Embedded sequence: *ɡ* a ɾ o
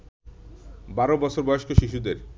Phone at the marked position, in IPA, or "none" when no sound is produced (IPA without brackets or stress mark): b